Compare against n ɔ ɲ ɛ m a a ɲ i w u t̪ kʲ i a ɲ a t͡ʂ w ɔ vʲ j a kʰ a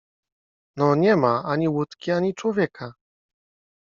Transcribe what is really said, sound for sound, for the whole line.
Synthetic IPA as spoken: n ɔ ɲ ɛ m a a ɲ i w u t̪ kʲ i a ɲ i t͡ʂ w ɔ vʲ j ɛ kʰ a